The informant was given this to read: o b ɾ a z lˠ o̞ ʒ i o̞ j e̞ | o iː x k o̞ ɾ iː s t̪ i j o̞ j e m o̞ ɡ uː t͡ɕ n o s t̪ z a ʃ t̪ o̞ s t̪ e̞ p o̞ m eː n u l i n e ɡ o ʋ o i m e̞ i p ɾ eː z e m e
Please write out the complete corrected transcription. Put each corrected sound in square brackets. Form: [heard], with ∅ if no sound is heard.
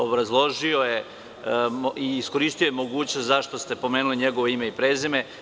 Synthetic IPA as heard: o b ɾ a z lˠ o̞ ʒ i o̞ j e̞ | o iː [s] k o̞ ɾ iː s t̪ i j o̞ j e m o̞ ɡ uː t͡ɕ n o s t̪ z a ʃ t̪ o̞ s t̪ e̞ p o̞ m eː n u l i [ɲ] e ɡ o ʋ o i m e̞ i p ɾ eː z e m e